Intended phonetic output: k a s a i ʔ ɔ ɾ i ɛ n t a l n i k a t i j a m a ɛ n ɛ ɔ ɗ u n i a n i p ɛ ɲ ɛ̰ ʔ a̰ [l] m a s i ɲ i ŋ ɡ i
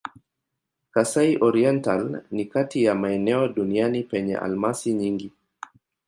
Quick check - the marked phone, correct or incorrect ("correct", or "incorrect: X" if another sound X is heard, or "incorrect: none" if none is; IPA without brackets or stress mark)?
correct